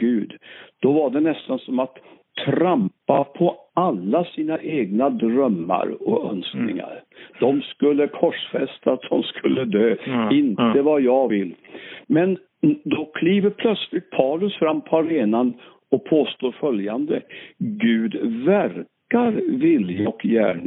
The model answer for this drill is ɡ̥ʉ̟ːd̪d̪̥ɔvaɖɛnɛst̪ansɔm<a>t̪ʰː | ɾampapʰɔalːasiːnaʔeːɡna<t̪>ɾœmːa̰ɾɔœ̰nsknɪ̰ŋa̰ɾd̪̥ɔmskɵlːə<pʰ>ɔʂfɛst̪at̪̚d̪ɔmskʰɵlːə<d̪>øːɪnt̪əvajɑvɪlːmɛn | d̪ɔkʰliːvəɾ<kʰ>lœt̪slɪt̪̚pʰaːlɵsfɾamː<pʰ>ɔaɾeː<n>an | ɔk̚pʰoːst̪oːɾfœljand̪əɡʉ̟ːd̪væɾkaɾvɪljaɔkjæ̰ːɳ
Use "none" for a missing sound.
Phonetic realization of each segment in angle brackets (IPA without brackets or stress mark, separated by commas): a, d̪, kʰ, d̪, pʰ, pʰ, n